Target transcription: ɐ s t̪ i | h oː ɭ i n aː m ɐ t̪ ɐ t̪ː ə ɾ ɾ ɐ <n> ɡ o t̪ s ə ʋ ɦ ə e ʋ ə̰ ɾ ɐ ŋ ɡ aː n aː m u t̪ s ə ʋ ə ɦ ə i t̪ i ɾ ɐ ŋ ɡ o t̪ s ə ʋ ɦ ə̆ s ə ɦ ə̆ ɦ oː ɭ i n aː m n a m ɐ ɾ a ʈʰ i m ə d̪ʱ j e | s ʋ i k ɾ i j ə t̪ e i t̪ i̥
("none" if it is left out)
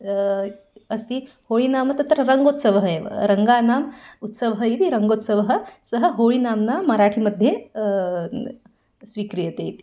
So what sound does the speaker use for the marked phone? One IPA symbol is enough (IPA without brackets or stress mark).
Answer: ŋ